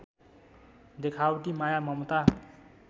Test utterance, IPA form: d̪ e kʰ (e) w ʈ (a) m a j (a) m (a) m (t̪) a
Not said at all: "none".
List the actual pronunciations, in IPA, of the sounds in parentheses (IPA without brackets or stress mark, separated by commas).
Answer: a, i, a, ʌ, t̪